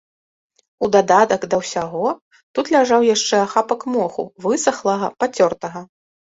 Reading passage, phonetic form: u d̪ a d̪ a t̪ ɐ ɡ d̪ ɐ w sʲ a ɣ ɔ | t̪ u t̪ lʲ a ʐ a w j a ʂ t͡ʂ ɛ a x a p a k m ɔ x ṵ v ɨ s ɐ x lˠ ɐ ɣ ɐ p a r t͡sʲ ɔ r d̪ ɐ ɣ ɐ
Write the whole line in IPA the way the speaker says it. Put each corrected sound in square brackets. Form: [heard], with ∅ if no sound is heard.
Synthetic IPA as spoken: u d̪ a d̪ a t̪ ɐ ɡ d̪ ɐ w sʲ a ɣ ɔ | t̪ u t̪ lʲ a ʐ a w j a ʂ t͡ʂ ɛ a x a p [ɐ] k m ɔ x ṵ v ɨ s ɐ x lˠ ɐ ɣ ɐ p a [∅] t͡sʲ ɔ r [t̪] ɐ ɣ ɐ